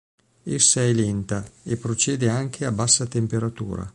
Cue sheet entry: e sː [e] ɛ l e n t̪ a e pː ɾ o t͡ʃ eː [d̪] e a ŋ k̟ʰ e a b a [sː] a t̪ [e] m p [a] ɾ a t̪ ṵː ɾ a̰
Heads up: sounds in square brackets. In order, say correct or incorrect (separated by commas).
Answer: incorrect, correct, correct, correct, incorrect